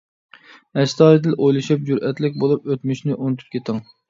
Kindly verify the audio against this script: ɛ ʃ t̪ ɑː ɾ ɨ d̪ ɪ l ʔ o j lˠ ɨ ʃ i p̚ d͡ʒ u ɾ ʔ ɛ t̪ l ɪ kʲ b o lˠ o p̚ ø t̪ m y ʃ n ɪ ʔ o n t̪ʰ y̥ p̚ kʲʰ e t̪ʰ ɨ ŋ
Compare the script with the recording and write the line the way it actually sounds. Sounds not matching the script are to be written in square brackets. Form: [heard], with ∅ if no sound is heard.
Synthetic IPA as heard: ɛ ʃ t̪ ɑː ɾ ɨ d̪ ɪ l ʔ o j lˠ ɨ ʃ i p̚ d͡ʒ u ɾ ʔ ɛ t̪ l ɪ kʲ b o lˠ [u] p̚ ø t̪ m y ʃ n ɪ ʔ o n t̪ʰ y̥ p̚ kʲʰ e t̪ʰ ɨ ŋ

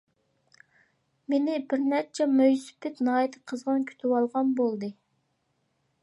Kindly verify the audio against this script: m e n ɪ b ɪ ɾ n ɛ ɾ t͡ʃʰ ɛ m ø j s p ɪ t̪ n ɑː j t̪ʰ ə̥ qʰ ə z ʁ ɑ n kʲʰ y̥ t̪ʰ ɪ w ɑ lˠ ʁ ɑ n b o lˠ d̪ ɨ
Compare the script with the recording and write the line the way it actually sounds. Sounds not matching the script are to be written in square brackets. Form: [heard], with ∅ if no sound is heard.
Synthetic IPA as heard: m e n ɪ b ɪ ɾ n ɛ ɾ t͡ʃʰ ɛ m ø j s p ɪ t̪ n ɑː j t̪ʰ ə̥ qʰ ə z ʁ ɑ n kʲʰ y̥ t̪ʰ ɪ w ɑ lˠ ʁ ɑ n b o lˠ d̪ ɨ

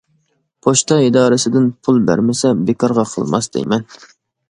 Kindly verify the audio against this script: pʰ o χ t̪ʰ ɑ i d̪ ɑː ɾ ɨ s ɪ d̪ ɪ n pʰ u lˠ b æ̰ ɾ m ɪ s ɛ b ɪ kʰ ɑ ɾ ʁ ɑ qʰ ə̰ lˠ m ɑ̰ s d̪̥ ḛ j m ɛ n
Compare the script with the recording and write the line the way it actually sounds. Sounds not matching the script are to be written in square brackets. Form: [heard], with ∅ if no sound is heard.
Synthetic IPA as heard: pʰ o [ʃ] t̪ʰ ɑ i d̪ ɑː ɾ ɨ s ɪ d̪ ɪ n pʰ u lˠ b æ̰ ɾ m ɪ s ɛ b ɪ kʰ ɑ ɾ ʁ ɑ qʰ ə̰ lˠ m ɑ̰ s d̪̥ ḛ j m ɛ n

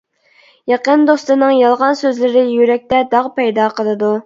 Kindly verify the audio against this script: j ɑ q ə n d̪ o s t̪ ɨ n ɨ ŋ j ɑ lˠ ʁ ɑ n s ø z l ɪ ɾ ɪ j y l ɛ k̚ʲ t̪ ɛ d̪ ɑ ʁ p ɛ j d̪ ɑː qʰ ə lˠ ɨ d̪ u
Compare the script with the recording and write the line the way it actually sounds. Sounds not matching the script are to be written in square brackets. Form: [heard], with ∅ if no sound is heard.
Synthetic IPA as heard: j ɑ q ə n d̪ o s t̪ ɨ n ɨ ŋ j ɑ lˠ ʁ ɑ n s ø z l ɪ ɾ ɪ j y [ɾ] ɛ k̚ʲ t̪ ɛ d̪ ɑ ʁ p ɛ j d̪ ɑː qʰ ə lˠ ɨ d̪ u

